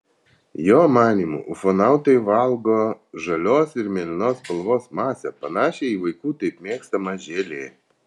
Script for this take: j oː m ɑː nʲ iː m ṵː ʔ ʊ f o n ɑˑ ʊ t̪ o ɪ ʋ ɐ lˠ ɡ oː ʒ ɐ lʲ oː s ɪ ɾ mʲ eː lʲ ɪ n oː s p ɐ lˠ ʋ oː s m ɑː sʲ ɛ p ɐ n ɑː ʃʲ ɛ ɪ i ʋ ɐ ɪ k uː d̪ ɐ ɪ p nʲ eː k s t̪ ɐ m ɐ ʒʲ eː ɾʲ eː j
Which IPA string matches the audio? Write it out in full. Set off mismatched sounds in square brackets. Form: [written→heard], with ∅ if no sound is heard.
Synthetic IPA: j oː m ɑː nʲ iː m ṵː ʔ ʊ f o n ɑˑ ʊ t̪ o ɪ ʋ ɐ lˠ ɡ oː ʒ ɐ lʲ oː s ɪ ɾ mʲ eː lʲ ɪ n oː s p ɐ lˠ ʋ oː s m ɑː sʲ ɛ p ɐ n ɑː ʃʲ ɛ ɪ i ʋ ɐ ɪ k uː [d̪→t̪] ɐ ɪ p [nʲ→mʲ] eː k s t̪ ɐ m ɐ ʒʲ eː [ɾʲ→lʲ] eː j

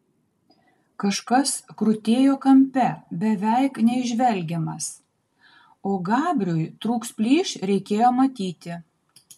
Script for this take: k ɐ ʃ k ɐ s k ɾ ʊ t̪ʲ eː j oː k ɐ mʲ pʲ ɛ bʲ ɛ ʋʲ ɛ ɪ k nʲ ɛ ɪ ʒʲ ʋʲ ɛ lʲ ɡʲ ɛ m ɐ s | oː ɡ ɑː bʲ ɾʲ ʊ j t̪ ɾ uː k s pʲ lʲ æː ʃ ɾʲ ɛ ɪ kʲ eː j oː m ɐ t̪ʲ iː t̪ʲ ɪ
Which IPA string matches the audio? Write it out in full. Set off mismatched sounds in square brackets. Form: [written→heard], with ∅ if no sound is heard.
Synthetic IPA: k ɐ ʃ k ɐ s k ɾ ʊ t̪ʲ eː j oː k ɐ mʲ pʲ ɛ bʲ ɛ ʋʲ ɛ ɪ k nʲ ɛ ɪ ʒʲ ʋʲ ɛ lʲ ɡʲ ɛ m ɐ s | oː ɡ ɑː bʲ ɾʲ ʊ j t̪ ɾ uː k s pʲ lʲ [æː→iː] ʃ ɾʲ ɛ ɪ kʲ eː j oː m ɐ t̪ʲ iː t̪ʲ ɪ

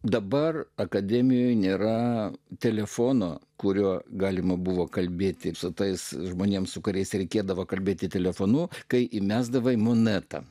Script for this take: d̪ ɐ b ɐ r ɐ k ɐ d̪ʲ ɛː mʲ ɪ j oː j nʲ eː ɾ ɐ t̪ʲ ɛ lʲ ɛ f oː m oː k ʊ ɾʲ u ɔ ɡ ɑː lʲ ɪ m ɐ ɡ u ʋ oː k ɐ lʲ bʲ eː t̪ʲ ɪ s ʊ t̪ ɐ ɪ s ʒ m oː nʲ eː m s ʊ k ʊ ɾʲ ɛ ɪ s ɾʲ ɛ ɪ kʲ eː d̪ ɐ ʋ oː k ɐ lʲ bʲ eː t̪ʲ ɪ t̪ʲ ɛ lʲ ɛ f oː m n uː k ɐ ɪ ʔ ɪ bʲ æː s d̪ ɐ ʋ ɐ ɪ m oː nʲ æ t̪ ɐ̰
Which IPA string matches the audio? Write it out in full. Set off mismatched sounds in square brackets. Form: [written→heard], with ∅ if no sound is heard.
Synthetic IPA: d̪ ɐ b ɐ r ɐ k ɐ d̪ʲ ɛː mʲ ɪ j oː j nʲ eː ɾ ɐ t̪ʲ ɛ lʲ ɛ f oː [m→n] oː k ʊ ɾʲ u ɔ ɡ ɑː lʲ ɪ m ɐ [ɡ→b] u ʋ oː k ɐ lʲ bʲ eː t̪ʲ ɪ s ʊ t̪ ɐ ɪ s ʒ m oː nʲ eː m s ʊ k ʊ ɾʲ ɛ ɪ s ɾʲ ɛ ɪ kʲ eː d̪ ɐ ʋ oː k ɐ lʲ bʲ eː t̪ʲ ɪ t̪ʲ ɛ lʲ ɛ f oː [m→∅] n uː k ɐ ɪ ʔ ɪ [bʲ→mʲ] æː [s→z] d̪ ɐ ʋ ɐ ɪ m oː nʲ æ t̪ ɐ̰

